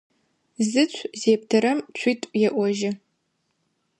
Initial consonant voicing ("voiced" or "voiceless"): voiced